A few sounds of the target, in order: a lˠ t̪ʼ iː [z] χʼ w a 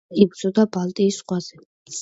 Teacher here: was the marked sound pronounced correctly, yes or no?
no